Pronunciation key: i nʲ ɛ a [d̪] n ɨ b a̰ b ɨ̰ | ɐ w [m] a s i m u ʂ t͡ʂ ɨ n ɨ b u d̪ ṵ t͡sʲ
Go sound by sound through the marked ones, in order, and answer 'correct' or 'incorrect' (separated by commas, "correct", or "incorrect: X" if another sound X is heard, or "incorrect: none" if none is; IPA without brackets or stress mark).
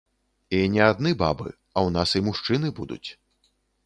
correct, incorrect: n